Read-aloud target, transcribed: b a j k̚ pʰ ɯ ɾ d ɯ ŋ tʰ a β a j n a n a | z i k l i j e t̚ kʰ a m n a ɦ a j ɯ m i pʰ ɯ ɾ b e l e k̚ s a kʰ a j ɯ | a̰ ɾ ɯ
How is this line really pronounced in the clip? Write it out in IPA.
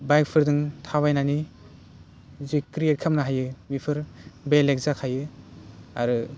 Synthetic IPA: b a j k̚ pʰ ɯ ɾ d ɯ ŋ tʰ a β a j n a n i | z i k ɾ i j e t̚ kʰ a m n a ɦ a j ɯ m i pʰ ɯ ɾ b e l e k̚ z a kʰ a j ɯ | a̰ ɾ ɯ